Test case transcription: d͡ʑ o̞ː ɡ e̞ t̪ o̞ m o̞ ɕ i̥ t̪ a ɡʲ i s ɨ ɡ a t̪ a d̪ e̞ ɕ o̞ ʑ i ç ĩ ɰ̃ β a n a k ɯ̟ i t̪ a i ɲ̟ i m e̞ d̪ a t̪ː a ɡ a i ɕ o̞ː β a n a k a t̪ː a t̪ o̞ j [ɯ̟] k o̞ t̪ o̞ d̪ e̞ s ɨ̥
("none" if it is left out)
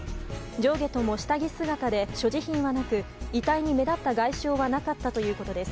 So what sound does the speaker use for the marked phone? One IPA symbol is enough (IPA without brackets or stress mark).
ɯ̟ː